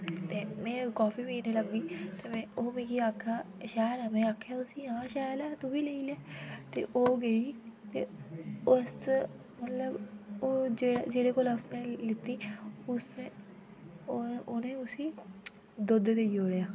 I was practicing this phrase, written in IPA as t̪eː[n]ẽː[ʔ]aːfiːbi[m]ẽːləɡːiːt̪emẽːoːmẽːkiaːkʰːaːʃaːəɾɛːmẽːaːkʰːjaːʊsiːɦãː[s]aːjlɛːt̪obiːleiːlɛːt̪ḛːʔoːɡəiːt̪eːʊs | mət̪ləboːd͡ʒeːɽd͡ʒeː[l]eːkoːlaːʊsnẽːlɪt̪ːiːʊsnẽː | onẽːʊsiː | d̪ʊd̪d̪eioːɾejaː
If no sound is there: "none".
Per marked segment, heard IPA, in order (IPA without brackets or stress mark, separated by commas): m, k, n, ʃ, ɽ